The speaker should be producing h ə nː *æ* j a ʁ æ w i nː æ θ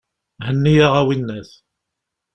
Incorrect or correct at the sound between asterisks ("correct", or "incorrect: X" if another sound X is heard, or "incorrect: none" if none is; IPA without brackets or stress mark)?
incorrect: i